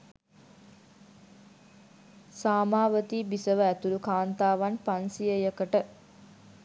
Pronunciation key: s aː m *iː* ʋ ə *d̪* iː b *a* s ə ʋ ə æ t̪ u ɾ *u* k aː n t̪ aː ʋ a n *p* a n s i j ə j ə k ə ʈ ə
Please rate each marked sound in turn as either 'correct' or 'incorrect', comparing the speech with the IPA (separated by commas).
incorrect, incorrect, incorrect, correct, correct